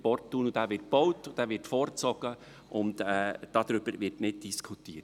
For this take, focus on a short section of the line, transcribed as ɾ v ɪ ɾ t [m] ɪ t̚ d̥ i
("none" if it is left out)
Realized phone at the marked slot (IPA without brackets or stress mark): n